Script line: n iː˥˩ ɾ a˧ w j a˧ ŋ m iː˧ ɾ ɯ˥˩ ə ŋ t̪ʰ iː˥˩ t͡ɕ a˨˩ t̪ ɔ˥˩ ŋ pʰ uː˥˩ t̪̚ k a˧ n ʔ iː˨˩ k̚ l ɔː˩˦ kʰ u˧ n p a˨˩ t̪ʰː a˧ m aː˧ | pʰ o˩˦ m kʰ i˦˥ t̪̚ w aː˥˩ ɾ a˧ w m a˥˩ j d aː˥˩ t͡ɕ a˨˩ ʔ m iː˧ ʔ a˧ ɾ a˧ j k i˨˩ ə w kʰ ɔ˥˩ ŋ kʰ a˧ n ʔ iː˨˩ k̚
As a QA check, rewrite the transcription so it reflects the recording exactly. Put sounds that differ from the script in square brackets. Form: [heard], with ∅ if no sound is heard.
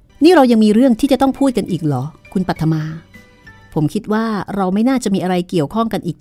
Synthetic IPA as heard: n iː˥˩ ɾ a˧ w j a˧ ŋ m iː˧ ɾ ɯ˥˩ ə ŋ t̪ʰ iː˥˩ t͡ɕ a˨˩ t̪ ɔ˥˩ ŋ pʰ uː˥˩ t̪̚ k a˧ n ʔ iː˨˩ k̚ l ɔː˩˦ kʰ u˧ n p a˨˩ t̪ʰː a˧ m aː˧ | pʰ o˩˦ m kʰ i˦˥ t̪̚ w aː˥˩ ɾ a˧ w m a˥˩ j [n] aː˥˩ t͡ɕ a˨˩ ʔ m iː˧ ʔ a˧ ɾ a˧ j k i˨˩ ə w kʰ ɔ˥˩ ŋ [k] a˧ n ʔ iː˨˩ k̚